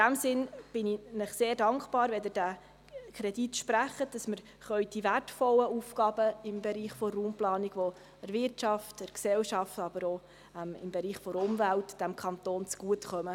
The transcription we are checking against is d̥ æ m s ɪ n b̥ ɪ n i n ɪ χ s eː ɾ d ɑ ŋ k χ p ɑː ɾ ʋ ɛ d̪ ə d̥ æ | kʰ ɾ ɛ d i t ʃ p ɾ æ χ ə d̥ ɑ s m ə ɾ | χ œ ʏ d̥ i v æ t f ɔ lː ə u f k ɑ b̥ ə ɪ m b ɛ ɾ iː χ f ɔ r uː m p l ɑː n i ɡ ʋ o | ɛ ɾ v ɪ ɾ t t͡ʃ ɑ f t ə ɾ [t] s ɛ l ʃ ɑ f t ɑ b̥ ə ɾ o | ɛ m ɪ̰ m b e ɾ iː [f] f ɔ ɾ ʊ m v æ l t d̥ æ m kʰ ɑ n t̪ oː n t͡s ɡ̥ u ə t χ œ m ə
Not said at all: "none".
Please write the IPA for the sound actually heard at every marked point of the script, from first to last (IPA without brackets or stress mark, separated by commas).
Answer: k, χ